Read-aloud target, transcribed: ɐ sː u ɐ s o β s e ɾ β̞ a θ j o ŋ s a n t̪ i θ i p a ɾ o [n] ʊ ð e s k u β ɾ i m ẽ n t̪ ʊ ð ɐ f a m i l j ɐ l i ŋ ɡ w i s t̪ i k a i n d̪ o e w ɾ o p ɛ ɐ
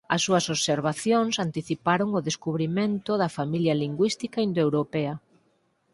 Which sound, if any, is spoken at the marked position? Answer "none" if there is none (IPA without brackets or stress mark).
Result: ŋ